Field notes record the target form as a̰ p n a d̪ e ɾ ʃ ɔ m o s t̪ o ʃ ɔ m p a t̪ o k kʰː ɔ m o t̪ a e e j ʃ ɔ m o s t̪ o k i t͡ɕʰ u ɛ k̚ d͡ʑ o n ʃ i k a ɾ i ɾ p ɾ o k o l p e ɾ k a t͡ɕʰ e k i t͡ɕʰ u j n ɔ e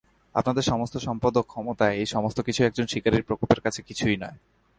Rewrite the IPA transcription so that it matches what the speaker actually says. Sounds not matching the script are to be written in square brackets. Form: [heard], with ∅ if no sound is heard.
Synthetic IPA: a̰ p n a d̪ e ɾ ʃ ɔ m o s t̪ o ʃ ɔ m p a [d̪] o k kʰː ɔ m o t̪ a e e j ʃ ɔ m o s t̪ o k i t͡ɕʰ u ɛ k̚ d͡ʑ o n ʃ i k a ɾ i ɾ p ɾ o k o l p e ɾ k a t͡ɕʰ e k i t͡ɕʰ u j n ɔ e